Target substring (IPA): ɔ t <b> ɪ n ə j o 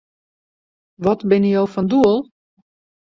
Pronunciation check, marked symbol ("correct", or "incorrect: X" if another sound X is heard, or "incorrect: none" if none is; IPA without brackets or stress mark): correct